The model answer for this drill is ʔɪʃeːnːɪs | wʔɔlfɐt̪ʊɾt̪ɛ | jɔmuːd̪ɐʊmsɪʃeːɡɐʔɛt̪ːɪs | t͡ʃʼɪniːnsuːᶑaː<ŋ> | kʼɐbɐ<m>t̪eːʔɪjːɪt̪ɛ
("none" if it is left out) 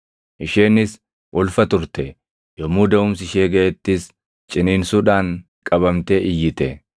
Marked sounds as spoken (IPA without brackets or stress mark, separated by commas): ŋ, m